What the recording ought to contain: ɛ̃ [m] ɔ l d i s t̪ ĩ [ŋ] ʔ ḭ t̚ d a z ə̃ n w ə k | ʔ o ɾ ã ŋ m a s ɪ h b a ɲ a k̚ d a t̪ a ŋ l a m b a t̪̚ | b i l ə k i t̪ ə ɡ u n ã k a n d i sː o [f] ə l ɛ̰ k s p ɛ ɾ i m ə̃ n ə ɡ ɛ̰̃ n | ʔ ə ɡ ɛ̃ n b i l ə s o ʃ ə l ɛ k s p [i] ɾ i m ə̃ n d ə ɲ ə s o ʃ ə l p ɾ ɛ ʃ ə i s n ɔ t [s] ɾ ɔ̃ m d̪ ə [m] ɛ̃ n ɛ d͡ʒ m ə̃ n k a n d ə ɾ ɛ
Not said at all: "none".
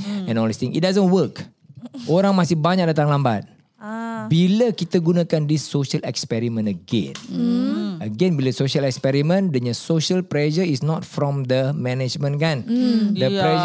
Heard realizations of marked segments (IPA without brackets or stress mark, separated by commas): n, ŋ, ʃ, ɛ, f, m